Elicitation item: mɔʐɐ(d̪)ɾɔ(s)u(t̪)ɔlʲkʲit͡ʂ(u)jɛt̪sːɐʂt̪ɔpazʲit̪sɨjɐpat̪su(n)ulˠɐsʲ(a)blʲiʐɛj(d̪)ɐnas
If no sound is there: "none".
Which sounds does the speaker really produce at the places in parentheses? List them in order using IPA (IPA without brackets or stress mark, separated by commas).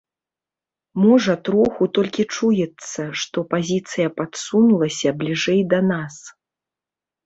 t̪, x, t̪, u, n, ɐ, d̪